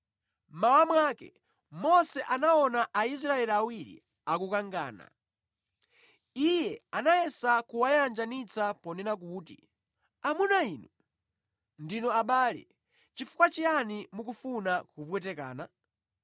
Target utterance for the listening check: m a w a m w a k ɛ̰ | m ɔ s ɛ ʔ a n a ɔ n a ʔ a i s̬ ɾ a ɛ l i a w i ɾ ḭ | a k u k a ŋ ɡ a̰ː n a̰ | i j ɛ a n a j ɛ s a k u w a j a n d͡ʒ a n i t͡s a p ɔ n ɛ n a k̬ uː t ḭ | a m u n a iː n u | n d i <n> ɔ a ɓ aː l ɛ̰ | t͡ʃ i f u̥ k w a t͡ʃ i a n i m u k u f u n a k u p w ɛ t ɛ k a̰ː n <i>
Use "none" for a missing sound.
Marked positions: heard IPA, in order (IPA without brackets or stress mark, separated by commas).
n, a